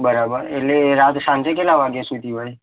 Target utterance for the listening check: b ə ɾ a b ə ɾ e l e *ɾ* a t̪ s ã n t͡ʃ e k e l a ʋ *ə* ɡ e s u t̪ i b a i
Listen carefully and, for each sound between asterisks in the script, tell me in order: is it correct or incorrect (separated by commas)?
correct, incorrect